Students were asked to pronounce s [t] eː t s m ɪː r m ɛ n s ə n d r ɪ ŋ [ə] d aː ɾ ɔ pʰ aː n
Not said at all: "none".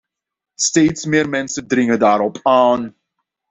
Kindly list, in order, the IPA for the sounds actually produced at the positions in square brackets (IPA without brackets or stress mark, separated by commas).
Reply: t, ə